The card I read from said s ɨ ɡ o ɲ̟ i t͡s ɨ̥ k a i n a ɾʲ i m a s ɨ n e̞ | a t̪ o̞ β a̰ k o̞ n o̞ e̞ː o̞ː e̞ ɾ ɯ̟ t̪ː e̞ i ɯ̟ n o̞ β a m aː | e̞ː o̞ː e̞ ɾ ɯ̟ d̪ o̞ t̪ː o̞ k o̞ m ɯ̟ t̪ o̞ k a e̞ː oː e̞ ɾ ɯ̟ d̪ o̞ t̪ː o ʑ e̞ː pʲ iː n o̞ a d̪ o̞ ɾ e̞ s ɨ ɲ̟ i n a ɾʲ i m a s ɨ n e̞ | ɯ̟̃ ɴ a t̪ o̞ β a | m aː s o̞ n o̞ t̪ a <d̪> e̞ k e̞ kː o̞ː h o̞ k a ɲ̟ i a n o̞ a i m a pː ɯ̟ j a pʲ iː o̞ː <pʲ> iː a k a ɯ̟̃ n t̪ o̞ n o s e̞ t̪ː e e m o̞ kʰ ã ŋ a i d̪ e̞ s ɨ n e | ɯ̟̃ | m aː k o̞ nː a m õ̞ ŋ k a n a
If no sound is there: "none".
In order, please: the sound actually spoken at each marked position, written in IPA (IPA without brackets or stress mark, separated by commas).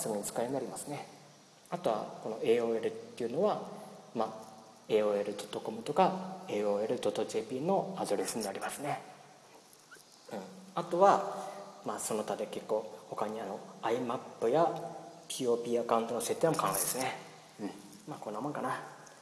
d̪, pʲ